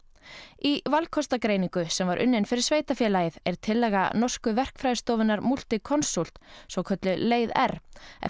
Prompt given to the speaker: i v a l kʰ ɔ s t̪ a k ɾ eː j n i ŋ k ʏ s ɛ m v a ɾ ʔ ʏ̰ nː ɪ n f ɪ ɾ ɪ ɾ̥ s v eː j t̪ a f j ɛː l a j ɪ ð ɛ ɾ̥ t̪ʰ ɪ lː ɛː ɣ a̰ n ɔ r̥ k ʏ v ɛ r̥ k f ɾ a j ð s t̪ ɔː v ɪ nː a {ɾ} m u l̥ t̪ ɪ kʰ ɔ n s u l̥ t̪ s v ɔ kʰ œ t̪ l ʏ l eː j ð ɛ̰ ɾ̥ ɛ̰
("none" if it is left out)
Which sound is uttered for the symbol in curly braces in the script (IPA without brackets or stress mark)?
ɾ